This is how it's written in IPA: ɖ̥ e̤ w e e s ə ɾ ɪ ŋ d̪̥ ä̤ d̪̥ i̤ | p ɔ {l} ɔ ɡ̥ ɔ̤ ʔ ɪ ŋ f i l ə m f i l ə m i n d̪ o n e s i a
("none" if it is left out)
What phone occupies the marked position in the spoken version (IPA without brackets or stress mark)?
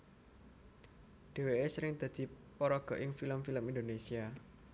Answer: ɾ